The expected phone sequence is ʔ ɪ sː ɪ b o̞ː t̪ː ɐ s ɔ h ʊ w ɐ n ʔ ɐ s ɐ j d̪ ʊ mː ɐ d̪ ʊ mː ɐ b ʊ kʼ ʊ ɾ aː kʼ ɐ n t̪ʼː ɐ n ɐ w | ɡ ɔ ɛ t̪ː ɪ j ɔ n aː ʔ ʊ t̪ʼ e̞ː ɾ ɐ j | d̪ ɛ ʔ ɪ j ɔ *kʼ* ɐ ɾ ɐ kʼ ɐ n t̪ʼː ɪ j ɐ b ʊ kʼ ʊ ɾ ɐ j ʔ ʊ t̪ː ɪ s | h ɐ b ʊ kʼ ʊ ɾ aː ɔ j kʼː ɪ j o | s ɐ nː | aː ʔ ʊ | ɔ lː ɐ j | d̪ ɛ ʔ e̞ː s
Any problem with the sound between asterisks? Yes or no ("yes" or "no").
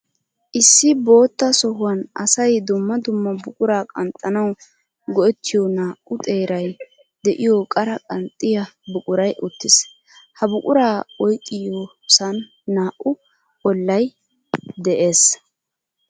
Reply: no